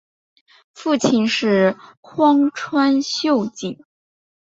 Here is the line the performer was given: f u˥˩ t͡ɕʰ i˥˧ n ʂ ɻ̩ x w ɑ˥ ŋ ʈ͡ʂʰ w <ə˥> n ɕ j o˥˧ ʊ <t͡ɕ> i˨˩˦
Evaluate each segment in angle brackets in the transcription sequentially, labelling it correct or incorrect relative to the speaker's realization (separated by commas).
incorrect, correct